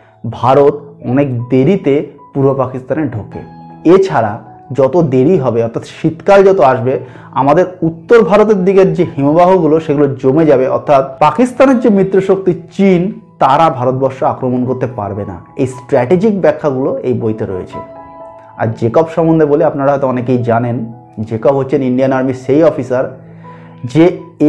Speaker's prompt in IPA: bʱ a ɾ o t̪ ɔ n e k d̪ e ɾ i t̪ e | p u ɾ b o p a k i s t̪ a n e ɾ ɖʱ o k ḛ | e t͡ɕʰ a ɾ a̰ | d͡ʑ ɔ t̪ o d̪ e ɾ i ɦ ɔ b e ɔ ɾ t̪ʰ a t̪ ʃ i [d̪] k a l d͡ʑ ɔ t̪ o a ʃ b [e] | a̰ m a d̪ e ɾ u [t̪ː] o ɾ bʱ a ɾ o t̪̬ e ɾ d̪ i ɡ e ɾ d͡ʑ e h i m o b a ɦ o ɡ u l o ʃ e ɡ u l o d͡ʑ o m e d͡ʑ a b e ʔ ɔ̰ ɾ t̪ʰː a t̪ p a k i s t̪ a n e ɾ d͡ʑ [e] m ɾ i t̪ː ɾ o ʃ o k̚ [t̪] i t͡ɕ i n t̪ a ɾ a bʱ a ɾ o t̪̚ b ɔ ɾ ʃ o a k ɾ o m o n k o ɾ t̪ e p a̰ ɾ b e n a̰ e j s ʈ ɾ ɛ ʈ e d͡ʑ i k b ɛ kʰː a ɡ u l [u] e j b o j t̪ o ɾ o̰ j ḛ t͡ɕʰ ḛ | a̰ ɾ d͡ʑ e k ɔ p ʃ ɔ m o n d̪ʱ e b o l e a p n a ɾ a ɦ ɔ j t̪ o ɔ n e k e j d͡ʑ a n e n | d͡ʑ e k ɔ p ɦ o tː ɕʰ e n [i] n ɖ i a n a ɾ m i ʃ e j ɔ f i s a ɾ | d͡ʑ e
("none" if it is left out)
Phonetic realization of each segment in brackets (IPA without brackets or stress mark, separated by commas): t̪, e, t̪ː, e, t̪, o, i